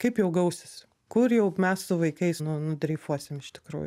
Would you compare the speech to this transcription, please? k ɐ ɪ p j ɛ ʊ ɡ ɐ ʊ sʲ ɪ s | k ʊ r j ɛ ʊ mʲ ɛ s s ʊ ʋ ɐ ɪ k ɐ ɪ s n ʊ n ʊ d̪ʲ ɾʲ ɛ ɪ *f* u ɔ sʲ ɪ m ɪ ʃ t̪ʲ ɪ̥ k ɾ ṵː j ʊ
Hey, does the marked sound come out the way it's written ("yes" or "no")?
yes